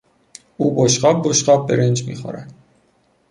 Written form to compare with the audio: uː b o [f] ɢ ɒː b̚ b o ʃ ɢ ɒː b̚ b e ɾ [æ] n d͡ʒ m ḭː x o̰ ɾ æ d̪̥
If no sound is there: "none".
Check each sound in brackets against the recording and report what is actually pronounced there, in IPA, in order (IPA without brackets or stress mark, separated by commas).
ʃ, e